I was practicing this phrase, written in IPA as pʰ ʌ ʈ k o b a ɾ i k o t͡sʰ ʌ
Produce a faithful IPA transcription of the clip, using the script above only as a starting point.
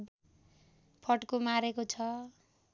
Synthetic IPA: pʰ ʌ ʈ k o m a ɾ e k o t͡sʰ ʌ